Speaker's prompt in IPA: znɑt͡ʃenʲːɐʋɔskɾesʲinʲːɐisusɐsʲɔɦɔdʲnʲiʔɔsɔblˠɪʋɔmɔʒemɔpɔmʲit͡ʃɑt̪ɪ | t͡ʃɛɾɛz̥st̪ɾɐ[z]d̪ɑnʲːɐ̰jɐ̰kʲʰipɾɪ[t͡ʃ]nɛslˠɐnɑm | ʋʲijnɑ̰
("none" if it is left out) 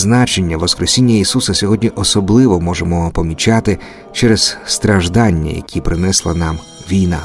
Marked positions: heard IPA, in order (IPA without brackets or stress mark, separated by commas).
ʒ, none